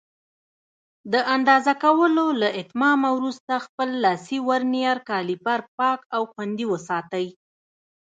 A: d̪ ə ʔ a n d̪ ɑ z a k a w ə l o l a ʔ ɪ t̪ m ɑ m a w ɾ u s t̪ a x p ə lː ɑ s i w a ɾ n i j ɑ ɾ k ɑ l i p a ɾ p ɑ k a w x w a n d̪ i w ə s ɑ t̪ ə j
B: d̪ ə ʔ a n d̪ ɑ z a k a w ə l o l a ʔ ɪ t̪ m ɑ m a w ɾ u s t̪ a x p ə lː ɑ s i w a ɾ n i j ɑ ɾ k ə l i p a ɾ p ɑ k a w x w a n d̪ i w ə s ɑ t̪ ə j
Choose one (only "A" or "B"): A